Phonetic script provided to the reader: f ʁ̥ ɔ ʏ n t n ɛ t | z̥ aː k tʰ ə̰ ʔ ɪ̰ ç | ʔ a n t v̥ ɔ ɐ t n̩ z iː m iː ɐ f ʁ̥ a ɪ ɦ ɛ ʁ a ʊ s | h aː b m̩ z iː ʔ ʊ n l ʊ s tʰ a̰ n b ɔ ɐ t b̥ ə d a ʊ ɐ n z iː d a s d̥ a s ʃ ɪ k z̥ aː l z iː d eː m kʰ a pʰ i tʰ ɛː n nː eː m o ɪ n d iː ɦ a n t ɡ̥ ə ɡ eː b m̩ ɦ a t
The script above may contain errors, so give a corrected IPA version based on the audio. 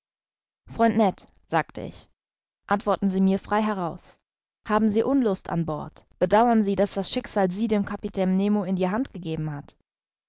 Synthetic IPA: f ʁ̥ ɔ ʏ n t n ɛ t | z̥ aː k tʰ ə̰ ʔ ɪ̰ ç | ʔ a n t v̥ ɔ ɐ t n̩ z iː m iː ɐ f ʁ̥ a ɪ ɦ ɛ ʁ a ʊ s | h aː b m̩ z iː ʔ ʊ n l ʊ s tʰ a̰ n b ɔ ɐ t b̥ ə d a ʊ ɐ n z iː d a s d̥ a s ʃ ɪ k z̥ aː l z iː d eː m kʰ a p i tʰ ɛː n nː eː m o ɪ n d iː ɦ a n t ɡ̥ ə ɡ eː b m̩ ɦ a t